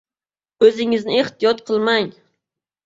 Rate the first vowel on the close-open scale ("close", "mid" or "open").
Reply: mid